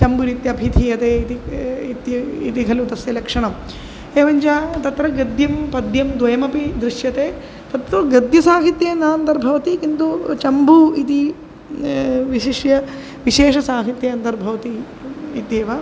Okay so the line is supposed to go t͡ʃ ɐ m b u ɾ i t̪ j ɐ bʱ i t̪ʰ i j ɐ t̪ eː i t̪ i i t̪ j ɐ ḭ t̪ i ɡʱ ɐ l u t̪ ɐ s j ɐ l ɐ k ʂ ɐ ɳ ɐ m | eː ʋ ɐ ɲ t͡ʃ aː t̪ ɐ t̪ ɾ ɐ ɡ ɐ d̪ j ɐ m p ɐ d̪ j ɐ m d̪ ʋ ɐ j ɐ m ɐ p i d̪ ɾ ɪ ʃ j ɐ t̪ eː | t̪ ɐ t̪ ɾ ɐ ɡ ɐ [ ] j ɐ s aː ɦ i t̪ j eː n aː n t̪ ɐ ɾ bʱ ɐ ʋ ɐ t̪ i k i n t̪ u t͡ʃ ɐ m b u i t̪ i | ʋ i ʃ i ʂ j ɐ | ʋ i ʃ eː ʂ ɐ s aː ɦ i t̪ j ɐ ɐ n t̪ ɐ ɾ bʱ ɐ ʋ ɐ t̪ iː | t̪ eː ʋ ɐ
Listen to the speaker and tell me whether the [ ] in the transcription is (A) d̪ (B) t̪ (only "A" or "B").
A